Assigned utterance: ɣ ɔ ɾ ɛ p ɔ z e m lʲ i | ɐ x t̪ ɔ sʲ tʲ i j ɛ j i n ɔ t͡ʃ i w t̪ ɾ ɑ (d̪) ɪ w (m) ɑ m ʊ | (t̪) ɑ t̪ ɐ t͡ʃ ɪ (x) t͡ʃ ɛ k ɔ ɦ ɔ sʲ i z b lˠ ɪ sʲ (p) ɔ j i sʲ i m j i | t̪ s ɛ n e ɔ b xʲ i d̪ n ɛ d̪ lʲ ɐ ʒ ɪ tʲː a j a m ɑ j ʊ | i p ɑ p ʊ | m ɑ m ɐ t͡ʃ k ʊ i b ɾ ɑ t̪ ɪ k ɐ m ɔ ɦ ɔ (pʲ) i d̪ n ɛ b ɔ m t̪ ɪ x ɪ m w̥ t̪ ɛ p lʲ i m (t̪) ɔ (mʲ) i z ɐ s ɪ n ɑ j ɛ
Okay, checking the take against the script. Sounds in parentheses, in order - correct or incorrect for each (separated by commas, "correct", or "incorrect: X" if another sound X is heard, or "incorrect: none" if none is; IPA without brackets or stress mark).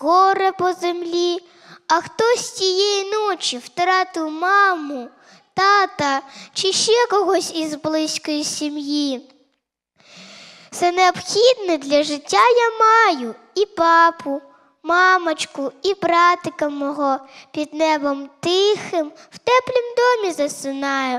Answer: incorrect: t̪, correct, correct, incorrect: ʃ, incorrect: k, correct, incorrect: d̪, correct